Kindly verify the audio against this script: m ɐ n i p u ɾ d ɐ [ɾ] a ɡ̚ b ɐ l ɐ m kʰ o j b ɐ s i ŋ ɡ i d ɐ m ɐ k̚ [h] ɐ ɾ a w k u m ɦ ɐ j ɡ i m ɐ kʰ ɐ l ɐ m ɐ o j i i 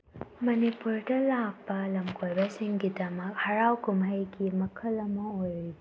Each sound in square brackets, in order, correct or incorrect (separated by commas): incorrect, correct